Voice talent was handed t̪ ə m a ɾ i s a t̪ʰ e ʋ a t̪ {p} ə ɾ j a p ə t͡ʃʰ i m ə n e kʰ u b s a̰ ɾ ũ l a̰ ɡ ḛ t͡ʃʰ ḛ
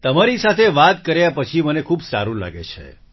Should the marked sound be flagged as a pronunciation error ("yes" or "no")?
yes